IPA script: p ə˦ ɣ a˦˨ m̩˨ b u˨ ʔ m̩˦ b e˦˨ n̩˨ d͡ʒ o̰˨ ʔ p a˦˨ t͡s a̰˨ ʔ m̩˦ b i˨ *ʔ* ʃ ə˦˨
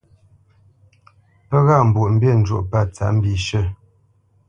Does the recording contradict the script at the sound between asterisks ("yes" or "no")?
yes